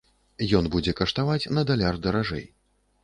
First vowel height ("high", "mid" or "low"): mid